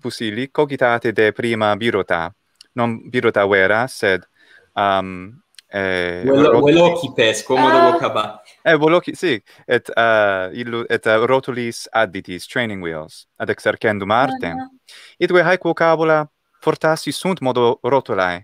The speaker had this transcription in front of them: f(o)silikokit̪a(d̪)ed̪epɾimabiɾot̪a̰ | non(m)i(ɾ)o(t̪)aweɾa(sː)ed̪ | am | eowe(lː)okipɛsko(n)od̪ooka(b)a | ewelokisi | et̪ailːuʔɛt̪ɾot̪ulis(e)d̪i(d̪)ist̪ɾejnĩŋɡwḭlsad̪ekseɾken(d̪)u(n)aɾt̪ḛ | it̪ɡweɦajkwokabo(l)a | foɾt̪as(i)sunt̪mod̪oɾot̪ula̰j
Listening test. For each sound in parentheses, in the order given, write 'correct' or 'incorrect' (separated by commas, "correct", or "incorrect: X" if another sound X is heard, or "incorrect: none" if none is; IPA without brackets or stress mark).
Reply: incorrect: u, incorrect: t̪, incorrect: b, correct, correct, incorrect: s, incorrect: l, incorrect: m, correct, incorrect: a, incorrect: t̪, correct, incorrect: m, correct, correct